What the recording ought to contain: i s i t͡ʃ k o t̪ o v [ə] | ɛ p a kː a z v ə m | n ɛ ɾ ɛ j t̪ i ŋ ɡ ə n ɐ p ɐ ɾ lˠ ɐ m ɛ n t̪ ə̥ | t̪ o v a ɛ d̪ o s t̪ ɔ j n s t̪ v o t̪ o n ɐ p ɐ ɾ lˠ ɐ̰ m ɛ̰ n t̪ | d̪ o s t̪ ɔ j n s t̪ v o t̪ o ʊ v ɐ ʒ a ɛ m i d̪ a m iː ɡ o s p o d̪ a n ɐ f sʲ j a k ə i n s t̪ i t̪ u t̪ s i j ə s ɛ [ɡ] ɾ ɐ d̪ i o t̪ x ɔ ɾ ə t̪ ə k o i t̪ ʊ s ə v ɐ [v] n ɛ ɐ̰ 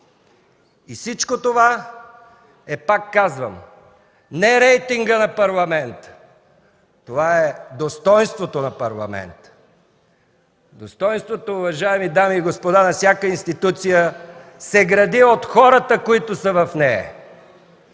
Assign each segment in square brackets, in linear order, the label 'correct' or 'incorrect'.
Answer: incorrect, correct, incorrect

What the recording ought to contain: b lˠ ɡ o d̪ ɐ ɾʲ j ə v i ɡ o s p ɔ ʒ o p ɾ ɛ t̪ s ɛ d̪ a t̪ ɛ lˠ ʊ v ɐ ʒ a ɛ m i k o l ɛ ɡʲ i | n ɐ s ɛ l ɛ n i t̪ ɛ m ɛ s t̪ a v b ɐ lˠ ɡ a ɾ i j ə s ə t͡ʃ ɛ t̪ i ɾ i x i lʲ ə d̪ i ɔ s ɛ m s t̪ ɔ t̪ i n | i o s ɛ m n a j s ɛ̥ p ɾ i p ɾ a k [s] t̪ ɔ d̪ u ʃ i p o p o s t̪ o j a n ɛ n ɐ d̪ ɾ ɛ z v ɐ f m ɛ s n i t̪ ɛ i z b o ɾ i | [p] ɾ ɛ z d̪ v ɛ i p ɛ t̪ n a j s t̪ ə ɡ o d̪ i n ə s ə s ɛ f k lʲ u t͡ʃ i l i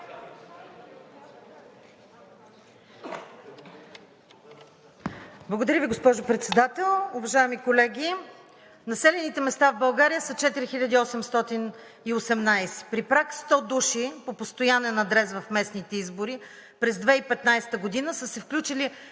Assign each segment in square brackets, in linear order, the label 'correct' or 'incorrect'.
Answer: correct, correct

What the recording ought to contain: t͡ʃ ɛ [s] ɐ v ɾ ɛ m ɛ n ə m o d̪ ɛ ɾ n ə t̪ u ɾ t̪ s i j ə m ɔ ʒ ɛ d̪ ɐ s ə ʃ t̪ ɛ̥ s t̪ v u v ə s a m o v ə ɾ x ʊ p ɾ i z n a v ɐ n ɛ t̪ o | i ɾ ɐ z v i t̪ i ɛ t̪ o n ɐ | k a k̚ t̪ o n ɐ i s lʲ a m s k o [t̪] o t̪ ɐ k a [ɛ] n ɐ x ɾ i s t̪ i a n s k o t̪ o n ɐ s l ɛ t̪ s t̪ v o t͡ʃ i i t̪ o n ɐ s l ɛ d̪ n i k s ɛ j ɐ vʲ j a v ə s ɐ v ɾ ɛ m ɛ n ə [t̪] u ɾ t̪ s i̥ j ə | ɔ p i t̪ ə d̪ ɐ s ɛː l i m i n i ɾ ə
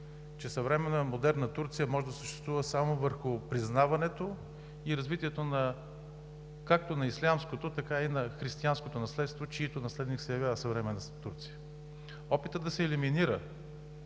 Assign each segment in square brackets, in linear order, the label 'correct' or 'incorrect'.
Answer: correct, correct, incorrect, correct

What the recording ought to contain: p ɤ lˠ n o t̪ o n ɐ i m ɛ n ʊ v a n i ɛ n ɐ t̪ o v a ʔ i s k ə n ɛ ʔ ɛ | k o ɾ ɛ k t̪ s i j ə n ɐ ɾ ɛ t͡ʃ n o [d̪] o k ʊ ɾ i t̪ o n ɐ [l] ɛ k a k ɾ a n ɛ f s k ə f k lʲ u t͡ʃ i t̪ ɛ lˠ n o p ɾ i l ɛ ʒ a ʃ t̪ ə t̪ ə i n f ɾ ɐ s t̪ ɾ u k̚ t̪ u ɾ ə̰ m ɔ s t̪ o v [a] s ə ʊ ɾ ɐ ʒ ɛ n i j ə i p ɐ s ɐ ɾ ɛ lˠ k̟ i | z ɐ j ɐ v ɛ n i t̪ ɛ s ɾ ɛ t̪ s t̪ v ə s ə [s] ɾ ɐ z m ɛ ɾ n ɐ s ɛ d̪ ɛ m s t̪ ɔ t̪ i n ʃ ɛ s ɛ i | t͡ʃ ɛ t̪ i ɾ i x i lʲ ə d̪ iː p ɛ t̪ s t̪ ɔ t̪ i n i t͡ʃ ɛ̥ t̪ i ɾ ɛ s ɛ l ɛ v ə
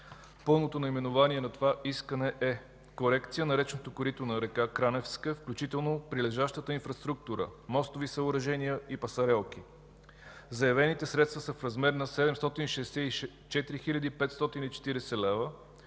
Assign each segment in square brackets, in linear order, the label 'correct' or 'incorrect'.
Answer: incorrect, incorrect, incorrect, incorrect

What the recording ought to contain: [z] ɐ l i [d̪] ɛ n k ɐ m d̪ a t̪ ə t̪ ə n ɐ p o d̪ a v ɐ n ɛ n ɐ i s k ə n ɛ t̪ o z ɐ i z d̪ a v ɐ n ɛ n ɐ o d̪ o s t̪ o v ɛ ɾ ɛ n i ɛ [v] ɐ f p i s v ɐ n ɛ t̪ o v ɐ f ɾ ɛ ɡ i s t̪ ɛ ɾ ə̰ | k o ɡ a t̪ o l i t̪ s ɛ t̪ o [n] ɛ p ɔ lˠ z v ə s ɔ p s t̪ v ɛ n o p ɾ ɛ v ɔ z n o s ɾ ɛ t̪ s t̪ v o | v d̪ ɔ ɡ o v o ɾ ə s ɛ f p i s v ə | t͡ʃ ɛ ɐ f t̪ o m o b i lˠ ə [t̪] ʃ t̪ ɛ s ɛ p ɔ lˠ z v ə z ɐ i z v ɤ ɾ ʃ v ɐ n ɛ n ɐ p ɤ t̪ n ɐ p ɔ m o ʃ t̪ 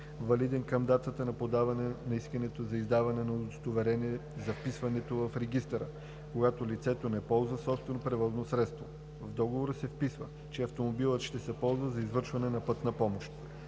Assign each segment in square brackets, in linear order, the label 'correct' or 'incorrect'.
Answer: incorrect, correct, incorrect, correct, correct

